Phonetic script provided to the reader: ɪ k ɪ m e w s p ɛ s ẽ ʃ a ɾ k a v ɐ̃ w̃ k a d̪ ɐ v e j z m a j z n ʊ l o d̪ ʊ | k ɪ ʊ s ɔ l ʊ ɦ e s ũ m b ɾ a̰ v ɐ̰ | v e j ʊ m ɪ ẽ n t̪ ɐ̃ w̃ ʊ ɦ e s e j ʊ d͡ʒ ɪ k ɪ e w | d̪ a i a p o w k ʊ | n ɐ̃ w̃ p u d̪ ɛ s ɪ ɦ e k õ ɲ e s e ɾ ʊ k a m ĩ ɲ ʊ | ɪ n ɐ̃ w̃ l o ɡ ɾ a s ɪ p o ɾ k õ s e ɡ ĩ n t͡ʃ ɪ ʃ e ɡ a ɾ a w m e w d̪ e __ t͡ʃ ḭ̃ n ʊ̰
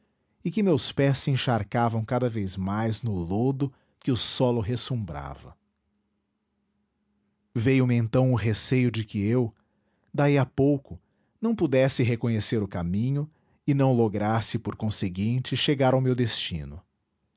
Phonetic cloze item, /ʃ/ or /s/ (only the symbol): s